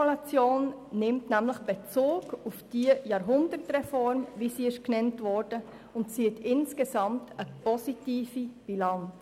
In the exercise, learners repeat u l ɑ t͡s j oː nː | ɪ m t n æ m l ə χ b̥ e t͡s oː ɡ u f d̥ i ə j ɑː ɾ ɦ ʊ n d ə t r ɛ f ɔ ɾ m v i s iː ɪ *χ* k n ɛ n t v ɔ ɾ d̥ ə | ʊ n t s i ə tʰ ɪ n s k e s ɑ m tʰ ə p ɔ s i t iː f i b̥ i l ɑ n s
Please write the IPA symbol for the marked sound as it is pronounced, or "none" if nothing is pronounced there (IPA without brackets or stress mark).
ʃ